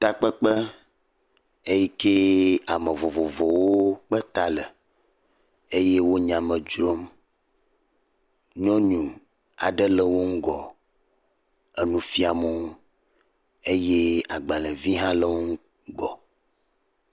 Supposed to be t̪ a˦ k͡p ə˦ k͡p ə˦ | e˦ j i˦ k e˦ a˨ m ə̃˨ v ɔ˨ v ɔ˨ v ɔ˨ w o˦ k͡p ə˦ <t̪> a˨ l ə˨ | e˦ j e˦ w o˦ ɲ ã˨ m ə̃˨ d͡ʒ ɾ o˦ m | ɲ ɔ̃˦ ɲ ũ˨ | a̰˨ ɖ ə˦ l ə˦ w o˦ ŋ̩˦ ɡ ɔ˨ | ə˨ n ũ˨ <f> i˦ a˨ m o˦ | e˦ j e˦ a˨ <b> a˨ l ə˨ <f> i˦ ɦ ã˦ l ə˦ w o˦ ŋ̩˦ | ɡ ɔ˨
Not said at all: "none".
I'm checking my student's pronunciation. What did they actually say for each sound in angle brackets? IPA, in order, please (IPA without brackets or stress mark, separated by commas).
t̪, f, ɡ͡b, v